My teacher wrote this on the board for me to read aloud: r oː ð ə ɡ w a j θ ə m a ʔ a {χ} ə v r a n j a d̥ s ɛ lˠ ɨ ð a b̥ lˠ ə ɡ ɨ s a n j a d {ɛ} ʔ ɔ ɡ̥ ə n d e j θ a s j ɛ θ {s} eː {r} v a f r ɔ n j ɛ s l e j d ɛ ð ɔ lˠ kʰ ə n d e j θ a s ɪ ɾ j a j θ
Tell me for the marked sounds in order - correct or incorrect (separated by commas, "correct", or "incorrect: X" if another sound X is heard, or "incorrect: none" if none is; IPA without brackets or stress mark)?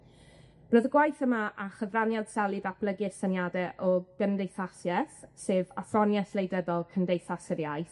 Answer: correct, correct, correct, incorrect: none